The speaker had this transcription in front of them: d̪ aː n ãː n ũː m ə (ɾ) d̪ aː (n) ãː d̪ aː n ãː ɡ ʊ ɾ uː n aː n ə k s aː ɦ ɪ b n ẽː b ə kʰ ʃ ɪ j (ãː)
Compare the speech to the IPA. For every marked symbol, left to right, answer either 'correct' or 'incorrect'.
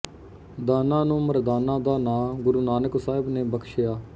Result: correct, correct, incorrect

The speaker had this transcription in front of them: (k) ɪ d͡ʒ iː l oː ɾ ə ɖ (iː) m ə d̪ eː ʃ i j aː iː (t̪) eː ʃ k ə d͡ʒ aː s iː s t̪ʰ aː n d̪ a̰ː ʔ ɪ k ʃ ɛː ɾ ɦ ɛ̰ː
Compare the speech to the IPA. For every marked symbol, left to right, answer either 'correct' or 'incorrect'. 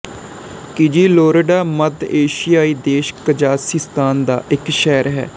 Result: correct, incorrect, incorrect

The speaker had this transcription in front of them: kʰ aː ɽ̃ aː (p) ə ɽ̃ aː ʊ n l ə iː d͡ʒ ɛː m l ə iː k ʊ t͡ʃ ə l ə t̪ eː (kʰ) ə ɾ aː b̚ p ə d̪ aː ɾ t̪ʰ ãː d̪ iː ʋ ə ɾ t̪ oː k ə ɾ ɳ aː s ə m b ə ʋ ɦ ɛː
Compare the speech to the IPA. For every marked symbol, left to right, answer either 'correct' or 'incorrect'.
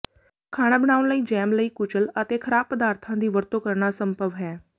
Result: incorrect, correct

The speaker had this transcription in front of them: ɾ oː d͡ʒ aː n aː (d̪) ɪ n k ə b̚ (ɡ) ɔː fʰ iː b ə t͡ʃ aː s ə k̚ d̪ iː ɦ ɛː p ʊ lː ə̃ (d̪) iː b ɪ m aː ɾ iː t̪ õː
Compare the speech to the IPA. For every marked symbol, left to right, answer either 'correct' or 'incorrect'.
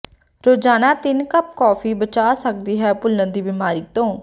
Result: incorrect, incorrect, correct

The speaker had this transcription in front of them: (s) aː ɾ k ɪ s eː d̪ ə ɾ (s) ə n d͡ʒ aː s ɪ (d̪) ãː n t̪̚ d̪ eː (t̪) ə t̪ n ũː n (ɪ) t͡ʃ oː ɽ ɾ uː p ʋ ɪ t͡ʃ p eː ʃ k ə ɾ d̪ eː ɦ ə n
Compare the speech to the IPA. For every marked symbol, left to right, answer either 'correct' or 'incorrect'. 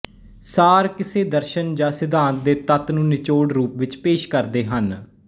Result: correct, incorrect, correct, correct, correct

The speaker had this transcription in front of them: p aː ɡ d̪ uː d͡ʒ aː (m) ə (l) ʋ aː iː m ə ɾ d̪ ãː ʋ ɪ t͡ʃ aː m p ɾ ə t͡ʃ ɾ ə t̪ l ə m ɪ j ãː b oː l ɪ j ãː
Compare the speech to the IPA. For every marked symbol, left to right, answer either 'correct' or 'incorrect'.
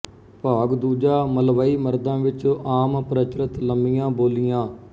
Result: correct, correct

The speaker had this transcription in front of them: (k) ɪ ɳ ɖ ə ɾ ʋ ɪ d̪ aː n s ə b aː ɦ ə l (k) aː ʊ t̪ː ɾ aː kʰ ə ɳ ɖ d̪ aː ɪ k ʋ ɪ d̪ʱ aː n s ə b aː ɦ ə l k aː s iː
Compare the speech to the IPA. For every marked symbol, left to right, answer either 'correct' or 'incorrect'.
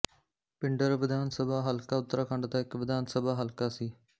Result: incorrect, correct

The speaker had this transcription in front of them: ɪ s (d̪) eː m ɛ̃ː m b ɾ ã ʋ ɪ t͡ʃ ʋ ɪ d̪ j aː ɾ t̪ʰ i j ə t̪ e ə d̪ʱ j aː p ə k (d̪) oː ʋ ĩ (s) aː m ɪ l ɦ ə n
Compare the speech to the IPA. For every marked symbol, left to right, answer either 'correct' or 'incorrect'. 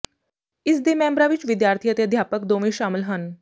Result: correct, correct, incorrect

